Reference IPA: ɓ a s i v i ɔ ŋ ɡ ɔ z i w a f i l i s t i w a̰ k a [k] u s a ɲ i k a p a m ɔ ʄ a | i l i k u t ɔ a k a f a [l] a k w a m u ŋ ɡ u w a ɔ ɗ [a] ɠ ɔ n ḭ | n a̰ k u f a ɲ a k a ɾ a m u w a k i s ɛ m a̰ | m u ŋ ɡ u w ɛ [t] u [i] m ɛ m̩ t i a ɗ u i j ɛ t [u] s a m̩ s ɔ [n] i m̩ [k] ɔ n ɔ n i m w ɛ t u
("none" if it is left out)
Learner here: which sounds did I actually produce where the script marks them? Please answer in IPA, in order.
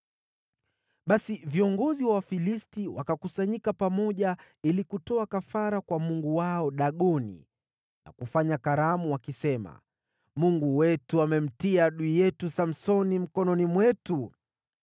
k, ɾ, a, t, a, u, n, k

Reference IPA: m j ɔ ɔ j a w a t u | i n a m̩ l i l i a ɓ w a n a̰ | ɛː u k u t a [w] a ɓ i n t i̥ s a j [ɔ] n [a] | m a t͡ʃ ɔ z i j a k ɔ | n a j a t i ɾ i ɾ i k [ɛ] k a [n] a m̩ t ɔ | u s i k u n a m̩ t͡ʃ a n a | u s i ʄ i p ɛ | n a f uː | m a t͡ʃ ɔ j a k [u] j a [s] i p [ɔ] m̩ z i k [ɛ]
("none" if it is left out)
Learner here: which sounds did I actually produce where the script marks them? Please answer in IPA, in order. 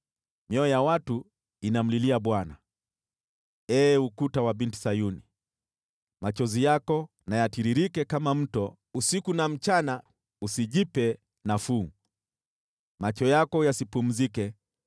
w, u, i, ɛ, m, ɔ, s, u, ɛ

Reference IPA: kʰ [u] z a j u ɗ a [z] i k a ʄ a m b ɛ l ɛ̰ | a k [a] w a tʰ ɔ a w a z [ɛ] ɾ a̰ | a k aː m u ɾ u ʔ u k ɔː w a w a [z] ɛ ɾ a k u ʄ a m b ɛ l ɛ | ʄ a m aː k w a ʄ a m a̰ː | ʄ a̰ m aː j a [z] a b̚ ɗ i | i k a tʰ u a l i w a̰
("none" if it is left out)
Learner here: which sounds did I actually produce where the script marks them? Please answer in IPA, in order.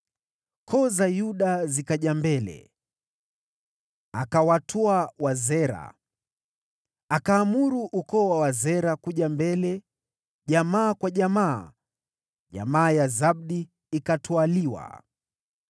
ɔ, z, a, ɛ, z, z

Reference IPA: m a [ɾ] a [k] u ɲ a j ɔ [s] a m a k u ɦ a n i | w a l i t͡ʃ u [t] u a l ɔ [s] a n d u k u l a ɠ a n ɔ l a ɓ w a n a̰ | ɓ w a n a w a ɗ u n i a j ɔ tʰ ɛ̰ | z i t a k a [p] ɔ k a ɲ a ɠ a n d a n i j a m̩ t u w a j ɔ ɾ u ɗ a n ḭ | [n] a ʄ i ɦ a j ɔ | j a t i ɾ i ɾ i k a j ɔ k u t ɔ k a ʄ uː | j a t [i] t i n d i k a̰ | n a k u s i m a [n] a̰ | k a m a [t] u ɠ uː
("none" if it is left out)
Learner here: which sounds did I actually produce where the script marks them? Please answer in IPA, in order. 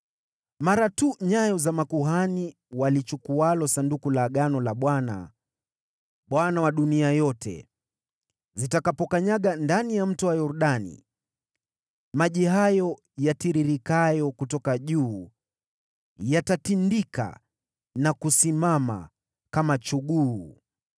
ɾ, t, z, k, s, p, m, a, m, t͡ʃ

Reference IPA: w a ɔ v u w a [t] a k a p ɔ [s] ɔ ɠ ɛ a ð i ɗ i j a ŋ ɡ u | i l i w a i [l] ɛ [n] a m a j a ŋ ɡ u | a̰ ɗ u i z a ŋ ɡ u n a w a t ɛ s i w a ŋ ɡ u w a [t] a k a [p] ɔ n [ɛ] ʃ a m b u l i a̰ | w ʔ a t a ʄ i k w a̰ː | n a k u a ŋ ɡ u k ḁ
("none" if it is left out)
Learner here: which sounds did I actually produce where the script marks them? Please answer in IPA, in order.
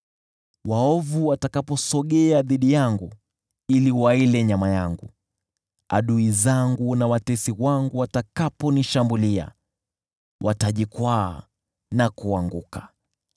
t, s, l, ɲ, t, p, i

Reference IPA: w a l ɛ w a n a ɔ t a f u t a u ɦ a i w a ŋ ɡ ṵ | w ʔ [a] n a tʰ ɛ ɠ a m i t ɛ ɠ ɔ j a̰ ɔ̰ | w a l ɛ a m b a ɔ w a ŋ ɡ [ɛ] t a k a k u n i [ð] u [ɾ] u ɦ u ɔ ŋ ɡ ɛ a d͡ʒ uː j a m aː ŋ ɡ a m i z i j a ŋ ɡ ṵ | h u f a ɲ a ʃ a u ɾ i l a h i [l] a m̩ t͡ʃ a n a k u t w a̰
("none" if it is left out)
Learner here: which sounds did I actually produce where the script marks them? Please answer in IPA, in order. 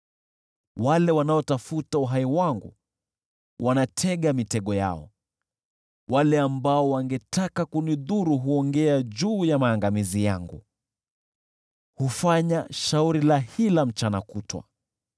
a, ɛ, ð, ɾ, l

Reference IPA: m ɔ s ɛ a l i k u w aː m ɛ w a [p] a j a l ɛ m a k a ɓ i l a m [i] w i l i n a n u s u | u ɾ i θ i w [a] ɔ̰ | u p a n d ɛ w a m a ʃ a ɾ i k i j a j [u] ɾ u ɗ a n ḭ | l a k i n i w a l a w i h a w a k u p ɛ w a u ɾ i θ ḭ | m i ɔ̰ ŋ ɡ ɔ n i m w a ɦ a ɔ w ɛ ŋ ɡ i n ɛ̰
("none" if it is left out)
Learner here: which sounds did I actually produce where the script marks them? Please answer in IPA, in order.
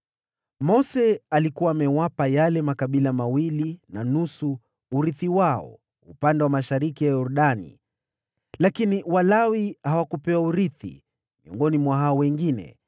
p, a, a, ɔ

